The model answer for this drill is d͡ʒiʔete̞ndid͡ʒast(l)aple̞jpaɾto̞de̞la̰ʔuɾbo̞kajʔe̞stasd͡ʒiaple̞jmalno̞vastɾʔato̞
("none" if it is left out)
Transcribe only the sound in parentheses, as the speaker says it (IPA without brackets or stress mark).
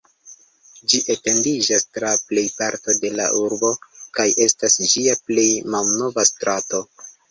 ɾ